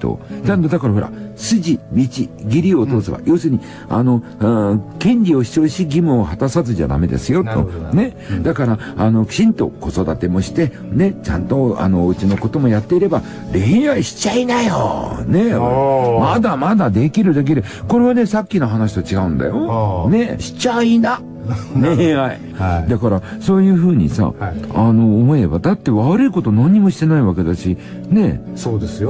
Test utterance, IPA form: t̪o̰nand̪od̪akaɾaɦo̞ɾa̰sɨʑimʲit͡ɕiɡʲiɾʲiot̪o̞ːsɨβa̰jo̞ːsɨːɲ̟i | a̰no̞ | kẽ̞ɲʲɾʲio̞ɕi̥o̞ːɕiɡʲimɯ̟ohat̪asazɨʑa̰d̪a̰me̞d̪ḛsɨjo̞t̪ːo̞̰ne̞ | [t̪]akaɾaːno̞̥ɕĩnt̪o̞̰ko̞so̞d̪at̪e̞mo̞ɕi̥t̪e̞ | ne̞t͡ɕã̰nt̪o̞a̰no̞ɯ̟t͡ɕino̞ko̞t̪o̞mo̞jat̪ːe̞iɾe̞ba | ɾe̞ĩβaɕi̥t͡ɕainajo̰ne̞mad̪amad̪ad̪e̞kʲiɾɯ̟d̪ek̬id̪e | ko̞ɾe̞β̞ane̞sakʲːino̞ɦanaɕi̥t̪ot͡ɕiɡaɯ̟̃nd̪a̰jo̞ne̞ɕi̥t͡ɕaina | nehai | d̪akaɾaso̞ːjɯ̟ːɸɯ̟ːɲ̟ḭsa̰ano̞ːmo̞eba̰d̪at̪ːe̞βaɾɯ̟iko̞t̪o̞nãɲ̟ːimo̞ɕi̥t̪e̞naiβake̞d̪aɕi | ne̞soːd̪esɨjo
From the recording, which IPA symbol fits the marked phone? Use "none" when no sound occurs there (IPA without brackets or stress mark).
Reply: d̪